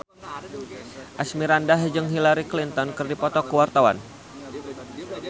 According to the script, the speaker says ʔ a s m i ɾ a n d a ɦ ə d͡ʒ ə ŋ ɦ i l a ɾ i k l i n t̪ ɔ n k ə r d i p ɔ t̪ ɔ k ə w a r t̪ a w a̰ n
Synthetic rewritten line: ʔ a s m i ɾ a n d a ɦ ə d͡ʒ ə ŋ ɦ i l a ɾ i k l i n t̪ ɔ n k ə r d i p ɔ t̪ ɔ k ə w a r t̪ a w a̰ n